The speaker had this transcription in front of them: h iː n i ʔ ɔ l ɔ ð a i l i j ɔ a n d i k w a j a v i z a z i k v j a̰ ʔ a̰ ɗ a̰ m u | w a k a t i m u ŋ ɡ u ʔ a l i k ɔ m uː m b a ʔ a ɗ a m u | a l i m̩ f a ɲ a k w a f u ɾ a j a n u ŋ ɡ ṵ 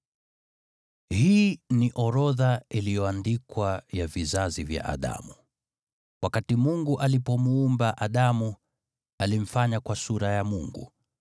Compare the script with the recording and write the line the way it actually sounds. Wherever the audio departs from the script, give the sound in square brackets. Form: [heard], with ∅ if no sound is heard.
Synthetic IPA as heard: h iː n i ʔ ɔ [ɾ] ɔ ð a i l i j ɔ a n d i k w a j a v i z a z i [∅] v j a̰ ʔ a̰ ɗ a̰ m u | w a k a t i m u ŋ ɡ u ʔ a l i [p] ɔ m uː m b a ʔ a ɗ a m u | a l i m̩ f a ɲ a k w a [s] u ɾ a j a [m] u ŋ ɡ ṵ